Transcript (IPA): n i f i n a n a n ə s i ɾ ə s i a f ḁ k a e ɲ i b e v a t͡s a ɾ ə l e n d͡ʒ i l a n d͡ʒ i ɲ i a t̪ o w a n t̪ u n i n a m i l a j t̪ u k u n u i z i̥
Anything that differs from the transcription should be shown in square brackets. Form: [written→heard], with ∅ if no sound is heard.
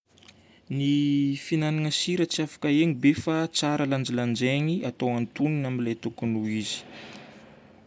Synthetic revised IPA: n i f i n a n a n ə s i ɾ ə [s→t͡s] i a f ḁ k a e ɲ i b e [v→f] a t͡s a ɾ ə l [e→a] n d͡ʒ i l a n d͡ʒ [i→e] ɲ i a t̪ o w a n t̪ u n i n a m i l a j t̪ u k u n u i z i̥